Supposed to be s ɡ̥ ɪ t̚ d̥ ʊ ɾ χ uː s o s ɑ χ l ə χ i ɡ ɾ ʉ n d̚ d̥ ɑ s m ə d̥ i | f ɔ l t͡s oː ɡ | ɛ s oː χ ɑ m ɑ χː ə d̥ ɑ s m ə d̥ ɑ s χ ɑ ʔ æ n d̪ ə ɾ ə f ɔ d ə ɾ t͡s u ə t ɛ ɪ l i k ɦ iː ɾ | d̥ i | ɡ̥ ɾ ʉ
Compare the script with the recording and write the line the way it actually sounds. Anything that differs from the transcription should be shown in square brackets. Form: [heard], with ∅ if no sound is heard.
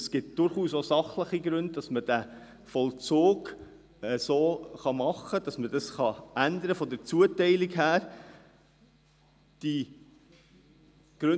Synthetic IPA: s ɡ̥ ɪ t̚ d̥ ʊ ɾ χ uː s o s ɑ χ l ə χ i ɡ ɾ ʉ n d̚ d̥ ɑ s m ə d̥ [æ] | f ɔ l t͡s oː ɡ | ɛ s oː χ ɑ m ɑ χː ə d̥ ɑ s m ə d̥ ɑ s χ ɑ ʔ æ n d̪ ə ɾ ə f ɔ d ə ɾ t͡s u ə t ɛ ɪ l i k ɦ [æː] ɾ | d̥ i | ɡ̥ ɾ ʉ